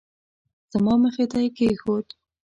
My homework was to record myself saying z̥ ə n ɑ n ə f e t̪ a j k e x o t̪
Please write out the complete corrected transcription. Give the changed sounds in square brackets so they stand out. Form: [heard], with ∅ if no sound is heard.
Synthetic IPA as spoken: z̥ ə [m] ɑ [m] ə [x] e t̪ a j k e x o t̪